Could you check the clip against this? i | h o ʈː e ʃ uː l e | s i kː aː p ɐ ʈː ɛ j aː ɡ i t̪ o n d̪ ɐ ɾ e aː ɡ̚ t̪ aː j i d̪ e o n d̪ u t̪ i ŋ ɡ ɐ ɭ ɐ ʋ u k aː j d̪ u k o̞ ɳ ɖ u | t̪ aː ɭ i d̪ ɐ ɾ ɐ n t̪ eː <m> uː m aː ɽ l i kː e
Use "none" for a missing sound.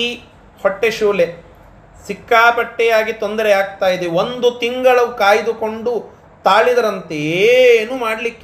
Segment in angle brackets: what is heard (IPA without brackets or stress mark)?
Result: n